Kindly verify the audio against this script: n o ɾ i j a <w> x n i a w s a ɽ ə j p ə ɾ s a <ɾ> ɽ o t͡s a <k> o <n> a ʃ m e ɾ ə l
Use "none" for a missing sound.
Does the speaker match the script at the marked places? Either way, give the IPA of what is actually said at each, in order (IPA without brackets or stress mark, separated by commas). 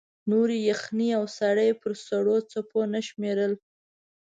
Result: none, none, p, n